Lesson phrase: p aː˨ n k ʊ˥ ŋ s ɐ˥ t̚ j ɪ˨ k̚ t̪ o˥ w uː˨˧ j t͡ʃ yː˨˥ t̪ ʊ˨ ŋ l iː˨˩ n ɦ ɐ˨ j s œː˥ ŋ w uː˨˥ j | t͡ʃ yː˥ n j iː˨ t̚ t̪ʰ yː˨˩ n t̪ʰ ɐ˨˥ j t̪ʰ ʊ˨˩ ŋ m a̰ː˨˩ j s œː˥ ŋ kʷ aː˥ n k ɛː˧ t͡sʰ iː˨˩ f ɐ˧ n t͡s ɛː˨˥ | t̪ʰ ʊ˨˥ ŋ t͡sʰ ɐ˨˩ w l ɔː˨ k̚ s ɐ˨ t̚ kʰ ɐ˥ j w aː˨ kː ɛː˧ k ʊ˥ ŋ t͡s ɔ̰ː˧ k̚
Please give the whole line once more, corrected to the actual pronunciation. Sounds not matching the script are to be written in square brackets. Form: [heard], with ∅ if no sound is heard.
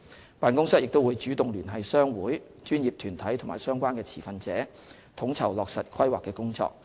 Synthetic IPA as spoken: p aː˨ n k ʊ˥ ŋ s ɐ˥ t̚ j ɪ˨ k̚ t̪ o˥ w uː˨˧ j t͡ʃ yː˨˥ t̪ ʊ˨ ŋ l [yː˨˩] n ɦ ɐ˨ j s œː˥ ŋ w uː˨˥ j | t͡ʃ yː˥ n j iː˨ [p̚] t̪ʰ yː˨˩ n t̪ʰ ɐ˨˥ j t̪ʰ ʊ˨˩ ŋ m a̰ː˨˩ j s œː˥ ŋ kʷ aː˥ n k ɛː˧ t͡sʰ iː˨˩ f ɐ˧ n t͡s ɛː˨˥ | t̪ʰ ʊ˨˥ ŋ t͡sʰ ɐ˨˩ w l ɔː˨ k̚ s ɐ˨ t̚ kʰ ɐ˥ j w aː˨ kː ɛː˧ k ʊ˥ ŋ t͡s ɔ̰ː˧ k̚